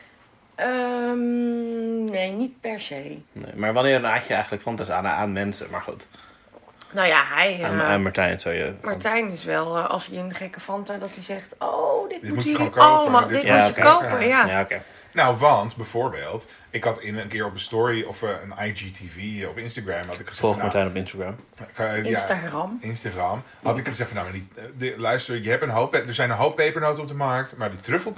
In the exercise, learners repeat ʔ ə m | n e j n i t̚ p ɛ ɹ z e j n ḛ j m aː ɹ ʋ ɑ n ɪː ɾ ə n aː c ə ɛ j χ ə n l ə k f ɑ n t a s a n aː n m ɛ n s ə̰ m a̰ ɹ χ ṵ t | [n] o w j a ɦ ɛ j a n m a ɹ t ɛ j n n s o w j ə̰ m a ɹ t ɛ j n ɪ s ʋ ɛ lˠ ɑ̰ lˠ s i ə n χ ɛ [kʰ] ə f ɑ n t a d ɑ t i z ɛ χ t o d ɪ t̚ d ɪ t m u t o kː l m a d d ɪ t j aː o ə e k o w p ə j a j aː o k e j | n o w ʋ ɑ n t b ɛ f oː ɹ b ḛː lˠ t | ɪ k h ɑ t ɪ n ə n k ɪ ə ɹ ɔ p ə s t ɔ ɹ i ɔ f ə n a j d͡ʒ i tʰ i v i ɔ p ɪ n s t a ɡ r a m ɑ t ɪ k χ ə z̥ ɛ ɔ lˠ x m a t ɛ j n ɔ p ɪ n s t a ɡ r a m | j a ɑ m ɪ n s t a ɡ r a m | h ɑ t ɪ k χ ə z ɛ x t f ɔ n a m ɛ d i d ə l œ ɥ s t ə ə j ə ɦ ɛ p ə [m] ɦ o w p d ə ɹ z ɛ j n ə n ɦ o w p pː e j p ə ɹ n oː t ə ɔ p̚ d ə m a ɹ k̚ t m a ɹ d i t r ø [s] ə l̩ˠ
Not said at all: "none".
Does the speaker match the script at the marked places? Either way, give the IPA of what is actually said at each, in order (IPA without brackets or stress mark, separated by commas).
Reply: n, k, n, f